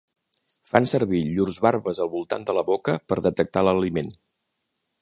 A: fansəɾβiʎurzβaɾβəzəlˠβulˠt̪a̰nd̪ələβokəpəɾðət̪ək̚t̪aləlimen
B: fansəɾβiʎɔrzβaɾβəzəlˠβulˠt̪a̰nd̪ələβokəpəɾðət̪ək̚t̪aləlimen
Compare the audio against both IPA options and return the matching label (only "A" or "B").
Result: A